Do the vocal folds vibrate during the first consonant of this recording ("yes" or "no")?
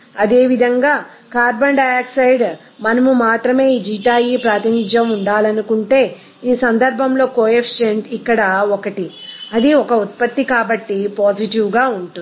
yes